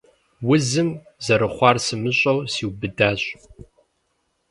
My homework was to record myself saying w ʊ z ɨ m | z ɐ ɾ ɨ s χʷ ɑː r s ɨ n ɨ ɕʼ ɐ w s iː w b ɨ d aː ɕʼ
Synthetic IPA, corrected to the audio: w ʊ z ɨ m | z ɐ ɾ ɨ χʷ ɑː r s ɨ m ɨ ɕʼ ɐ w s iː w b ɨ d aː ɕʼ

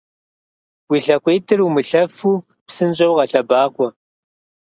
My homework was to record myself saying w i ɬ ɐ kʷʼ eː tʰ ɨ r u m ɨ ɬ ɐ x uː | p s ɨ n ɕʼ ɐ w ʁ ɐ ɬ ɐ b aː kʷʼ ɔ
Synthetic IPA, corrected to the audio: w i ɬ ɐ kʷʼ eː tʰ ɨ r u m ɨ ɬ ɐ f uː | p s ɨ n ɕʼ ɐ w ʁ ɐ ɬ ɐ b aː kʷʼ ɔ

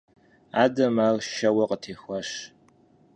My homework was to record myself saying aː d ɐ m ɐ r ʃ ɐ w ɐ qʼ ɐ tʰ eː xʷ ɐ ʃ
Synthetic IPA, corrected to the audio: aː d ɐ m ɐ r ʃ ɐ w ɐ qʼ ə tʰ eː xʷ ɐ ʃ

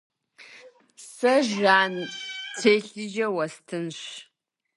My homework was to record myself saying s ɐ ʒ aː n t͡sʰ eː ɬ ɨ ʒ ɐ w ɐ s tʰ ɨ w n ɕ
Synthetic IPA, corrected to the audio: s ɐ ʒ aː n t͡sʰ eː ɬ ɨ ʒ ɐ w ɐ s tʰ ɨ n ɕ

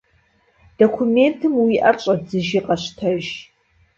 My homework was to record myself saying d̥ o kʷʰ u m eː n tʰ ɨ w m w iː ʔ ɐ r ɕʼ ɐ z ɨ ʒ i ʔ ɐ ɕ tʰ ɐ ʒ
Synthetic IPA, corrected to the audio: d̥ o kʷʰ u m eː n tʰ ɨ m w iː ʔ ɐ r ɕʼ ɐ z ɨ ʒ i q ɐ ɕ tʰ ɐ ʒ

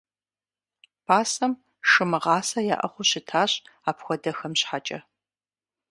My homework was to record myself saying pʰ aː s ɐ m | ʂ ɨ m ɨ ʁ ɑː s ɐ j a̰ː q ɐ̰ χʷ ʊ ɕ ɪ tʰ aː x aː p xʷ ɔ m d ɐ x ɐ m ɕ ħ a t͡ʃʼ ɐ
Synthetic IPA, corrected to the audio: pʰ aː s ɐ m | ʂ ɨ m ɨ ʁ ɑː s ɐ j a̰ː ʔ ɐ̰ χʷ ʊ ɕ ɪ tʰ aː ɕ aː p xʷ ɔ d ɐ x ɐ m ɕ ħ a t͡ʃʼ ɐ

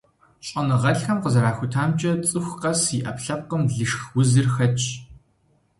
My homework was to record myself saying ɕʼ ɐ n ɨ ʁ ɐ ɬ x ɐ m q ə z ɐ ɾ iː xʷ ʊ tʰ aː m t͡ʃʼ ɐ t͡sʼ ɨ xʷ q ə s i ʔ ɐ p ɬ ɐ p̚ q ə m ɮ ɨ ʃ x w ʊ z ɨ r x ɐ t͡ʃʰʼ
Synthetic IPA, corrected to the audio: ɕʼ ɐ n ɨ ʁ ɐ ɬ x ɐ m q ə z ɐ ɾ aː xʷ ʊ tʰ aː m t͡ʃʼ ɐ t͡sʼ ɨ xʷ q ɐ s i ʔ ɐ p ɬ ɐ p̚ q ə m ɮ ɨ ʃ x w ʊ z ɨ r x ɐ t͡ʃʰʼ

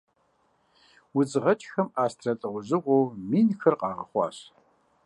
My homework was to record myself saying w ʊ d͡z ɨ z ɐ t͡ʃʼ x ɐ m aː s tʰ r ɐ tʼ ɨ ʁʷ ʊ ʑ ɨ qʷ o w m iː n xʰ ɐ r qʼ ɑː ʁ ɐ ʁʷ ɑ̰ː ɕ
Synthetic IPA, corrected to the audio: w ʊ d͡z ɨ ʁ ɐ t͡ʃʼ x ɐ m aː s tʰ r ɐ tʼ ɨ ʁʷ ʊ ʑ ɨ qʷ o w m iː n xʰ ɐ r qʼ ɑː ʁ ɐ χʷ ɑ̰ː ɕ

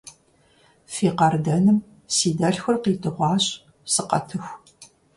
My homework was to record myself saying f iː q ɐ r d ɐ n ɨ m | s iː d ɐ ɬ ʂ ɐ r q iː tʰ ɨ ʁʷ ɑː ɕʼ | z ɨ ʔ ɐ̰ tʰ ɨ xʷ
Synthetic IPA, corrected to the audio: f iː q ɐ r d ɐ n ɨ m | s iː d ɐ ɬ x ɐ r q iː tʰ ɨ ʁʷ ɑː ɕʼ | s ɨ q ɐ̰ tʰ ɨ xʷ

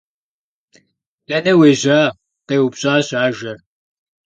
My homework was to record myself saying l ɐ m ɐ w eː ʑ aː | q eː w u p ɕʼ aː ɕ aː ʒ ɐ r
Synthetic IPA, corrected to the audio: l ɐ n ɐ w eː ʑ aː | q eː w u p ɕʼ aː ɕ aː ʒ ɐ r

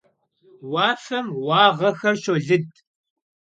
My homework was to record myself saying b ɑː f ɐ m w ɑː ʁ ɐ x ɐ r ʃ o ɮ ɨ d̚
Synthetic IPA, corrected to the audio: w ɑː f ɐ m w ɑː ʁ ɐ x ɐ r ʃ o ɮ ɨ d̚

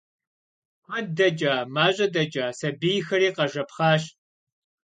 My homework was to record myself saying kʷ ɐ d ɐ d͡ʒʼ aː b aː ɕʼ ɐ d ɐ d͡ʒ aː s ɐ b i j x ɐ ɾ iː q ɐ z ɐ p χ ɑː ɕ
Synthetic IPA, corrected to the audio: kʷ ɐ d ɐ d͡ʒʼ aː m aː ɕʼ ɐ d ɐ d͡ʒ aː s ɐ b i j x ɐ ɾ iː q ɐ ʒ ɐ p χ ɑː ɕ

